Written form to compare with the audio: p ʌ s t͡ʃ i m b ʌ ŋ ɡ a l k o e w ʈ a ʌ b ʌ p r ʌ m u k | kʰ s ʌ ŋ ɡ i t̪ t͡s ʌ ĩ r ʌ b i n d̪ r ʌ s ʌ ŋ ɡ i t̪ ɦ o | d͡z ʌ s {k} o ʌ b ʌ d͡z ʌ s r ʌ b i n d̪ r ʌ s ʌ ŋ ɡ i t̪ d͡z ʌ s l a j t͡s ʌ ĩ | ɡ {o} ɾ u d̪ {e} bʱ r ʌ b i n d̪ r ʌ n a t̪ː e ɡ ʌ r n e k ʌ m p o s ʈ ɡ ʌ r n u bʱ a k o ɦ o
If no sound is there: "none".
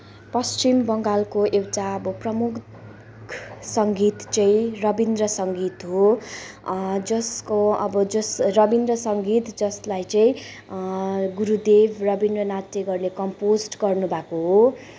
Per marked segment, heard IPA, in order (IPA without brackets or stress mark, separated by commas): k, u, e